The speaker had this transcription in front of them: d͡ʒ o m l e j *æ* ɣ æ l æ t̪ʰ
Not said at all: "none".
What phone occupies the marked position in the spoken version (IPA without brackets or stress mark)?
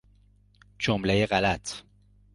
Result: e